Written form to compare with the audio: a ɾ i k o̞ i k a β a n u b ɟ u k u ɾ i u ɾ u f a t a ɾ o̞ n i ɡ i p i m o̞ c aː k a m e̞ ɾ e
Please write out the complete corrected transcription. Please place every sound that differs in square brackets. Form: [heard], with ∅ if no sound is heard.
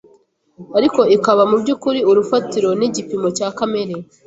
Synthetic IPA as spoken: a ɾ i k o̞ i k a β a [m] u b ɟ u k u ɾ i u ɾ u f a t [i] ɾ o̞ n i [ɟ] i p i m o̞ c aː k a m e̞ ɾ e